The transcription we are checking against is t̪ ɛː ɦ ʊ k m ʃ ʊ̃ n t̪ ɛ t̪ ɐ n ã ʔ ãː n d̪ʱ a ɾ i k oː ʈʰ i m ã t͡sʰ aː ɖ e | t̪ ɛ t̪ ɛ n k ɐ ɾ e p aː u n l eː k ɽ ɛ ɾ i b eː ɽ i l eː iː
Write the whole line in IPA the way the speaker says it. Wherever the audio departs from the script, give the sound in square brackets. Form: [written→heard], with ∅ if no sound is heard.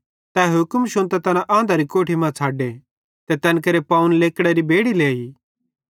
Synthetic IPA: t̪ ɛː ɦ ʊ k m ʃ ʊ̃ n t̪ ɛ t̪ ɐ n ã ʔ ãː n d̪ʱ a ɾ i k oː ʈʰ i m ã t͡sʰ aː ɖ e | t̪ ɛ t̪ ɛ n k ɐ ɾ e p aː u n l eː k ɽ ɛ ɾ i b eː ɽ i l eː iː